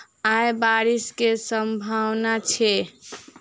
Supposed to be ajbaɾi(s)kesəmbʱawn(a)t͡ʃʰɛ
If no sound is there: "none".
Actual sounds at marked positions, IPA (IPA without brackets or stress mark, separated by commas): s, a